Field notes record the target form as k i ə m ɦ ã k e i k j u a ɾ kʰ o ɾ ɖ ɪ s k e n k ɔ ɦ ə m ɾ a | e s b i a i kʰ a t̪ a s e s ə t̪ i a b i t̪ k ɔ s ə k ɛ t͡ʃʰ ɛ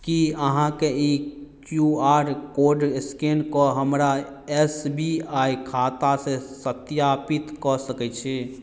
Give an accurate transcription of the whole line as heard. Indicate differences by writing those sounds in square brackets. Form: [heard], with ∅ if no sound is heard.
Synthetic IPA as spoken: k i ə [∅] ɦ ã k e i k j u a ɾ [k] o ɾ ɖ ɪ s k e n k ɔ ɦ ə m ɾ a | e s b i a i kʰ a t̪ a s e s ə t̪ [j] a [p] i t̪ k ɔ s ə k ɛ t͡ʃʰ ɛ